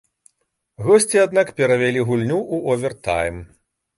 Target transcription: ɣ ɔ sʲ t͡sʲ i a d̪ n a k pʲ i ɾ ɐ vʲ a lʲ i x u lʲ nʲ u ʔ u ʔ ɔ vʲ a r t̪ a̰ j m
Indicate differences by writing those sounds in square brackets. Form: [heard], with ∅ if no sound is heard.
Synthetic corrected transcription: ɣ ɔ sʲ t͡sʲ i a d̪ n a k pʲ [ɛ] ɾ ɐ vʲ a lʲ i [ɣ] u lʲ nʲ u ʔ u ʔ ɔ vʲ [ɛ] r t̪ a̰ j m